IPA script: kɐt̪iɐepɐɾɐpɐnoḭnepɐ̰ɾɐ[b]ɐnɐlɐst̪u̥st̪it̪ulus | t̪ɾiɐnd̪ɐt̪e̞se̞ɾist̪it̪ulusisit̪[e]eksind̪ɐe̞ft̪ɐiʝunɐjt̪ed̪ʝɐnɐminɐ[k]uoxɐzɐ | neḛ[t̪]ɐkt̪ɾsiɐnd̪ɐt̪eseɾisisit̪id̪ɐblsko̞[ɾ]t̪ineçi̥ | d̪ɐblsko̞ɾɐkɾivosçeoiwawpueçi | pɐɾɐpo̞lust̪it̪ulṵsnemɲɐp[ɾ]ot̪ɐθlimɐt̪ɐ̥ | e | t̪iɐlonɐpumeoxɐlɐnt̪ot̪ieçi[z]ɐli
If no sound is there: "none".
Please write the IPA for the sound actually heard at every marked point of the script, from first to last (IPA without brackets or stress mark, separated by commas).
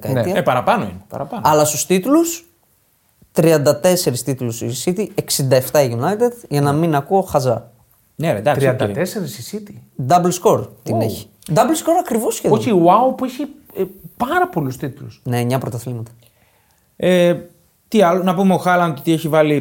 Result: p, i, k, d̪, ɾ, ɾ, v